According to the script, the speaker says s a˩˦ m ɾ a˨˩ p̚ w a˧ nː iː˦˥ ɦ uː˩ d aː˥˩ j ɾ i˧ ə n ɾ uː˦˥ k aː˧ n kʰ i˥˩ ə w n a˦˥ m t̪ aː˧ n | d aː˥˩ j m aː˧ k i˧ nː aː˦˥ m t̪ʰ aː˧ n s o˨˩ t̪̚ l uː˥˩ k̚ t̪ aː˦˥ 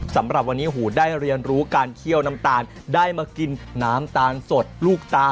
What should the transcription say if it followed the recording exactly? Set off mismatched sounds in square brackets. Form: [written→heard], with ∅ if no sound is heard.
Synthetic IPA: s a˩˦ m ɾ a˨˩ p̚ w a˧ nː iː˦˥ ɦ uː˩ d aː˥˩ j ɾ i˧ ə n ɾ uː˦˥ k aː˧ n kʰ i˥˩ ə w n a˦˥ m t̪ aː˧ n | d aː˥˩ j m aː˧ k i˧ nː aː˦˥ m [t̪ʰ→t̪] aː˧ n s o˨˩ t̪̚ l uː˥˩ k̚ t̪ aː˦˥